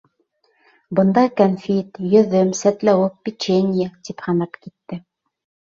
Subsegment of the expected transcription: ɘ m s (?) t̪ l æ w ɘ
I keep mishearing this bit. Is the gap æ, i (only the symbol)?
æ